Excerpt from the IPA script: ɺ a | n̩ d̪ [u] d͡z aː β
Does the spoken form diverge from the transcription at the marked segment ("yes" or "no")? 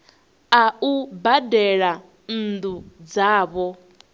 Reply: no